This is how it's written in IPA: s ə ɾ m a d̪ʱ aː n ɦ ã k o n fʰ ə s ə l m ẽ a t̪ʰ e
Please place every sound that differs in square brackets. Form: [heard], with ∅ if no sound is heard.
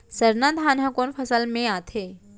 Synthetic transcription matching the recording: s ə ɾ [n] a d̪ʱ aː n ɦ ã k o n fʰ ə s ə l m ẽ a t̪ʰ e